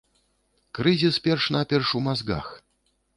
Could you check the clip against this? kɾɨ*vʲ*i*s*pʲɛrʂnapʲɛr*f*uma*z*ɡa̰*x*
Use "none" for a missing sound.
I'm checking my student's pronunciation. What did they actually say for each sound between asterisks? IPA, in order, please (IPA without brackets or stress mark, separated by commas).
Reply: zʲ, s, ʂ, z, x